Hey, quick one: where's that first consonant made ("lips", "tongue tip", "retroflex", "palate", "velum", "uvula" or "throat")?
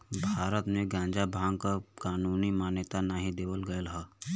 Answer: lips